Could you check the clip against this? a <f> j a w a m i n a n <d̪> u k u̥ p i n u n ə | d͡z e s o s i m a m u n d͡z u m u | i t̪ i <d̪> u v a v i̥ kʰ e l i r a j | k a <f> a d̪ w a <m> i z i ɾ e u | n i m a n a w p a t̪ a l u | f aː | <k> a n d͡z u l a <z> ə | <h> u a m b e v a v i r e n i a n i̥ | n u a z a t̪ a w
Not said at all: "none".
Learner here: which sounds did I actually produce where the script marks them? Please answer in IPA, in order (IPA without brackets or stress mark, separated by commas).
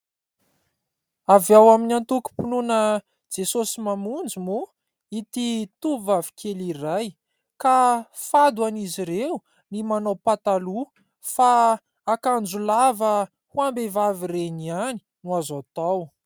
v, t̪, t̪, f, n, k, v, h